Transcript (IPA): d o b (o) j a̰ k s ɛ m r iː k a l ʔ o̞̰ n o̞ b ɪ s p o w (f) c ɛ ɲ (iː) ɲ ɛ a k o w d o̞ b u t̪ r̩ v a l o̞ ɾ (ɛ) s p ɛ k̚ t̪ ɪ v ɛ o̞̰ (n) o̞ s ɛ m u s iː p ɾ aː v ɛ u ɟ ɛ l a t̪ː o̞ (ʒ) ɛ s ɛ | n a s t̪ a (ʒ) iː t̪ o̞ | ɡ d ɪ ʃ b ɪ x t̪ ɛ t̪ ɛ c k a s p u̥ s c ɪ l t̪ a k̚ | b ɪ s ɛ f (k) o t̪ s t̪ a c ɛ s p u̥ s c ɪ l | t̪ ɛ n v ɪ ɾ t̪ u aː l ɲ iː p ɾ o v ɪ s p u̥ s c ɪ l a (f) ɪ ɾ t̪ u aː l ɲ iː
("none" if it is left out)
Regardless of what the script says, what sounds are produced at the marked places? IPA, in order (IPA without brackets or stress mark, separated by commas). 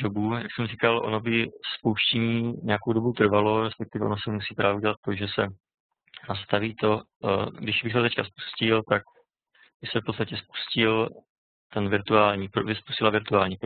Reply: u, ʃ, iː, ɛ, n, ʒ, v, p, v